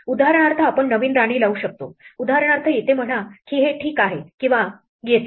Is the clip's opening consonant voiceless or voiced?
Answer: voiced